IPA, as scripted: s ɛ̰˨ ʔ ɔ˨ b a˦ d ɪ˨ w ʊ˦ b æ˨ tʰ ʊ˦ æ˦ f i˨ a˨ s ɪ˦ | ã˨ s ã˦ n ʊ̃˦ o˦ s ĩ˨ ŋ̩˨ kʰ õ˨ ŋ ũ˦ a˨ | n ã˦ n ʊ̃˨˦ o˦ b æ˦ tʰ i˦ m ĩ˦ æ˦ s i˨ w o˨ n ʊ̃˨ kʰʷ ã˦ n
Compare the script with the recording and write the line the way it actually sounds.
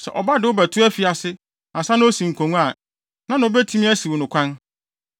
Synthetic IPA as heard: s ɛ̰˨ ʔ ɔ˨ b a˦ d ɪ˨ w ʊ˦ b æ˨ tʰ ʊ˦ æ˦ f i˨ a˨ s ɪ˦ | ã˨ s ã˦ n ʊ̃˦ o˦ s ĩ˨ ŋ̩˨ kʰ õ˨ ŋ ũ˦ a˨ | n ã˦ n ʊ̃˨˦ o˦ b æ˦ tʰ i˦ m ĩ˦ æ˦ s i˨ w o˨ n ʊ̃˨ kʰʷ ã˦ n